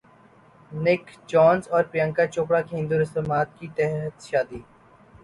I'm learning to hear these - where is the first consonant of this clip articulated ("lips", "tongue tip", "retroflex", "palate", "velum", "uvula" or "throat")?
tongue tip